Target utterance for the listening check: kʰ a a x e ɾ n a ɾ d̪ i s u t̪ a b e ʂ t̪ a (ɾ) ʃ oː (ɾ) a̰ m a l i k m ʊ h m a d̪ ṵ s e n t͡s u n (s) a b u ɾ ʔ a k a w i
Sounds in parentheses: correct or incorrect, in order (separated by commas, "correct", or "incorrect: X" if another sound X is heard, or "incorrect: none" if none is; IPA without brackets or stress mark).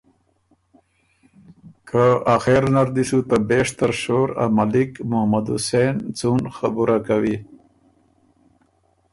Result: correct, correct, incorrect: x